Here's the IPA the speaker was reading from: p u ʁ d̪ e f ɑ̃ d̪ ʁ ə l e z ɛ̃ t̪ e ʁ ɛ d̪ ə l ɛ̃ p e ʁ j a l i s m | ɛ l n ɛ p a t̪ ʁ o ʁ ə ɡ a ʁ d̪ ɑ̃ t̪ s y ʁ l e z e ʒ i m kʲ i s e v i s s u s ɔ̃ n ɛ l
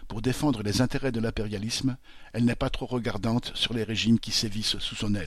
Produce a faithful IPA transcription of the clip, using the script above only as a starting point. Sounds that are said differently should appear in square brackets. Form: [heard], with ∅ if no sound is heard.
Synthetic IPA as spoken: p u ʁ d̪ e f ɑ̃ d̪ ʁ ə l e z ɛ̃ t̪ e ʁ ɛ d̪ ə l ɛ̃ p e ʁ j a l i s m | ɛ l n ɛ p a t̪ [χ] o ʁ ə ɡ a ʁ d̪ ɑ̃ t̪ s y ʁ l e [ʁ] e ʒ i m kʲ i s e v i s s u s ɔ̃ n ɛ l